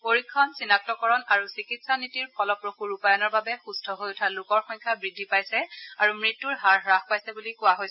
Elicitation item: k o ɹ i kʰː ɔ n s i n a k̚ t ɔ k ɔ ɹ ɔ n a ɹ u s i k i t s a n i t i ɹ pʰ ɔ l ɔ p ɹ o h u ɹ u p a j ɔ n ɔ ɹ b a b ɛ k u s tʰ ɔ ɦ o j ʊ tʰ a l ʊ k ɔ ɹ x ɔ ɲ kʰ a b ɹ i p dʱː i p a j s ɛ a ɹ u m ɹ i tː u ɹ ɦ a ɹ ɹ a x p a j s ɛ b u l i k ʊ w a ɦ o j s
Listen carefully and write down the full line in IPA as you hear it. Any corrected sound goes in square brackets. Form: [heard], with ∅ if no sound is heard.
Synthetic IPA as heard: [p] o ɹ i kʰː ɔ n s i n a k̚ t ɔ k ɔ ɹ ɔ n a ɹ u s i k i t s a n i t i ɹ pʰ ɔ l ɔ p ɹ o [x] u ɹ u p a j ɔ n ɔ ɹ b a b ɛ [x] u s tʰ ɔ ɦ o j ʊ tʰ a l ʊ k ɔ ɹ x ɔ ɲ kʰ a b ɹ i [∅] dʱː i p a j s ɛ a ɹ u m ɹ i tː u ɹ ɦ a ɹ ɹ a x p a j s ɛ b u l i k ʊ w a ɦ o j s